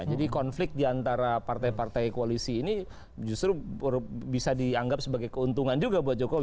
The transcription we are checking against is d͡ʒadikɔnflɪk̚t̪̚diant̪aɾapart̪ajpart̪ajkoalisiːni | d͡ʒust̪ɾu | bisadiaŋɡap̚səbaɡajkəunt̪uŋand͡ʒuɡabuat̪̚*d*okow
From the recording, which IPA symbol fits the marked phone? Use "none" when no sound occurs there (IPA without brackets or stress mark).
d͡ʒ